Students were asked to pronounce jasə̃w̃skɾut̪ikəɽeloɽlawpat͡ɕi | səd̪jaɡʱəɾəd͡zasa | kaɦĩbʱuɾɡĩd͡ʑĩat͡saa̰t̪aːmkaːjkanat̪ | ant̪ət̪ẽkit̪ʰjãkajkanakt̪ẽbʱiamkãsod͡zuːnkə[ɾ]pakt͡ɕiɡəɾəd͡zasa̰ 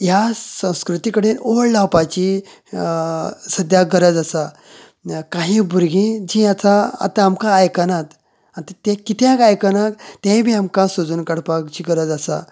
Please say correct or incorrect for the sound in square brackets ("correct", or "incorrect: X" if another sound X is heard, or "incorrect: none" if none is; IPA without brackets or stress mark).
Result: incorrect: ɽ